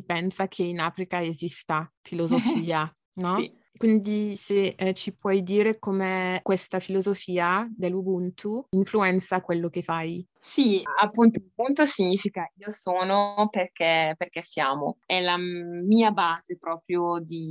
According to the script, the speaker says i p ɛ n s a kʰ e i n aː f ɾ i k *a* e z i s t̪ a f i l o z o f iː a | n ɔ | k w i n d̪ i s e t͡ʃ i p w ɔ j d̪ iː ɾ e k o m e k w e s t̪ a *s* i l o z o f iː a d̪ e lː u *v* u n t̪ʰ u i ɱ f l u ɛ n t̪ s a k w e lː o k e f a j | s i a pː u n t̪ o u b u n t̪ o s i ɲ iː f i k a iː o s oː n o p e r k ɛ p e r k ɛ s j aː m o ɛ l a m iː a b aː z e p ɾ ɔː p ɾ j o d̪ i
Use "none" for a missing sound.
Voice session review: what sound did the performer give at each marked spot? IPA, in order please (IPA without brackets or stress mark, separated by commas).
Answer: a, f, b